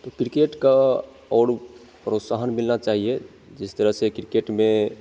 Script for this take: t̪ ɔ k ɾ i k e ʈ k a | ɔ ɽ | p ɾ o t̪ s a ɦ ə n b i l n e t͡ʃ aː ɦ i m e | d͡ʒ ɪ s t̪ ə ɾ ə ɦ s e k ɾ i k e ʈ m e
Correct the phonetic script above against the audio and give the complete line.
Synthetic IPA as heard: t̪ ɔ k ɾ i k e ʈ k a | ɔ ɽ | p ɾ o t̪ s a ɦ ə n m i l n a t͡ʃ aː ɦ i e | d͡ʒ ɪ s t̪ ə ɾ ə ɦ s e k ɾ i k e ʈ m e